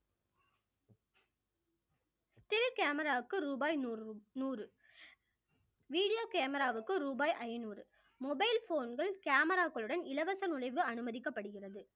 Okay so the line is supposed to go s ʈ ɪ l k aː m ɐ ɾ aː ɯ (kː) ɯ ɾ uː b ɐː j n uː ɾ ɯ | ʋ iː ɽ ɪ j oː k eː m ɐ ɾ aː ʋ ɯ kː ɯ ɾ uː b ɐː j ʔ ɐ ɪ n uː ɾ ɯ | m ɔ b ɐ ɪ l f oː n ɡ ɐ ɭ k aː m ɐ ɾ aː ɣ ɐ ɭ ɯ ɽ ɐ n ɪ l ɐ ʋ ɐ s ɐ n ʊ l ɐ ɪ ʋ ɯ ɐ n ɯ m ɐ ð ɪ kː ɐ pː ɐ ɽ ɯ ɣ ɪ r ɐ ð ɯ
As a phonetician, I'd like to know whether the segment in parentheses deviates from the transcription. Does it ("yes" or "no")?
no